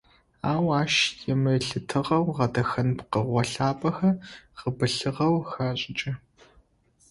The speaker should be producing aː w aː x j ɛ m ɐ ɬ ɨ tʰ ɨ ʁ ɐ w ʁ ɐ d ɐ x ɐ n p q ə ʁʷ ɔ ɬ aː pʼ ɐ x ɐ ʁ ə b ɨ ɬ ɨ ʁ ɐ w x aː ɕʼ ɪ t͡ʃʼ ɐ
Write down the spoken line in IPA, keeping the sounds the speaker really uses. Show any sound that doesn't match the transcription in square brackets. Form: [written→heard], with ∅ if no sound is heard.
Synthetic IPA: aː w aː [x→ʃ] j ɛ m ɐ ɬ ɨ tʰ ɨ ʁ ɐ w ʁ ɐ d ɐ x ɐ n p q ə ʁʷ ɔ ɬ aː pʼ ɐ x ɐ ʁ ə b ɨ ɬ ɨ ʁ ɐ w x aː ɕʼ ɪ t͡ʃʼ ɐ